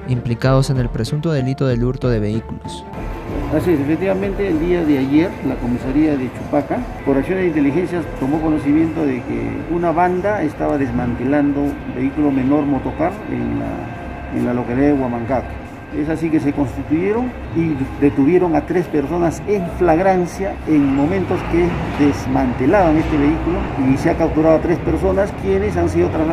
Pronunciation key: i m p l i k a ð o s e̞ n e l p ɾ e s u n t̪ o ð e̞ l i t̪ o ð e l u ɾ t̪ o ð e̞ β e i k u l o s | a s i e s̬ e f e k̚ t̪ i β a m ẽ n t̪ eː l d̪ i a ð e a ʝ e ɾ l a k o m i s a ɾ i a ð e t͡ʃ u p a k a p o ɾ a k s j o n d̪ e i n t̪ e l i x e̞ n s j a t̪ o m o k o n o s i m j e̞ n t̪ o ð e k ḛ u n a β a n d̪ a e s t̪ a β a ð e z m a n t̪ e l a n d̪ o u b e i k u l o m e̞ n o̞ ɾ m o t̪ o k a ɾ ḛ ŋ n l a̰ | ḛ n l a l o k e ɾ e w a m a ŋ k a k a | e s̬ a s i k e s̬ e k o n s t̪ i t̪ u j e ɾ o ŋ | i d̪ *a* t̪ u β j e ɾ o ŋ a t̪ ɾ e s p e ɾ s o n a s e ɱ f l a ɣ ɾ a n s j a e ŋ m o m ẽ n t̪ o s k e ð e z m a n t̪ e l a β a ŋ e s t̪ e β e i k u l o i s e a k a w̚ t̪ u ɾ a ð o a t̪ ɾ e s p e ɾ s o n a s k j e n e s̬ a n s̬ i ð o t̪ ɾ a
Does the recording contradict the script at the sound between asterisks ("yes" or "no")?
yes